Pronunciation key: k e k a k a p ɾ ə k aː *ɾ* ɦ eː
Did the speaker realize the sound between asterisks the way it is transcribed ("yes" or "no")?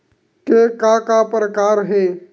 yes